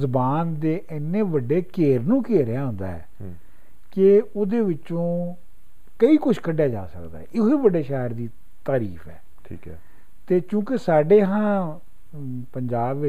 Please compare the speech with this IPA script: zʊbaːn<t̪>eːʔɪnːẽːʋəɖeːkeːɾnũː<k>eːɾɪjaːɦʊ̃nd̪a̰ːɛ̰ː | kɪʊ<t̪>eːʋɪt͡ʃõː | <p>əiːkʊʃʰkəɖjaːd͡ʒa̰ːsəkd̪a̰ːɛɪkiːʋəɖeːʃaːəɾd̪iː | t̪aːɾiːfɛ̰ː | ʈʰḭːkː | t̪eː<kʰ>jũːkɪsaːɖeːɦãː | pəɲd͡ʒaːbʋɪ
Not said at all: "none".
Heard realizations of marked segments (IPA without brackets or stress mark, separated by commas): d̪, k, d̪, k, k